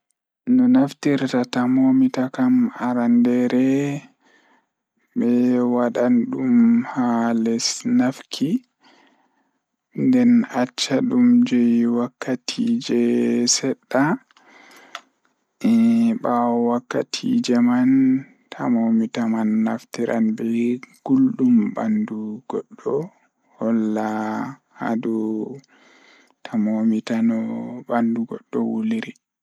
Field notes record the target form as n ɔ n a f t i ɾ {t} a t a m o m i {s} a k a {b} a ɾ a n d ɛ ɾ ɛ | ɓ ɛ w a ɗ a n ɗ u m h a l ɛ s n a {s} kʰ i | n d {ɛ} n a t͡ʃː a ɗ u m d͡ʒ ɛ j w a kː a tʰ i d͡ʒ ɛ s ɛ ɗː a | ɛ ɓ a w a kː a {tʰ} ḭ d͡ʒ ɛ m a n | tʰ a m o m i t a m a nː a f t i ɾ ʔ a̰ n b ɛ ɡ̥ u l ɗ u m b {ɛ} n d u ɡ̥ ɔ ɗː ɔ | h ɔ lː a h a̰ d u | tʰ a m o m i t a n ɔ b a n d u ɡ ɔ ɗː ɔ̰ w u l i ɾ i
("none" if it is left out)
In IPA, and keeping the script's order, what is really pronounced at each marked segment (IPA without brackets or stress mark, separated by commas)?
t, t, m, f, ɛ, tʰ, a